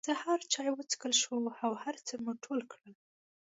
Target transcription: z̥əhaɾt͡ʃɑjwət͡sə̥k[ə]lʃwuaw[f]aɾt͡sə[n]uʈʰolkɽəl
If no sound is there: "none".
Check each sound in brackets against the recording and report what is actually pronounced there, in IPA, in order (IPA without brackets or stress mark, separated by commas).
ə, h, m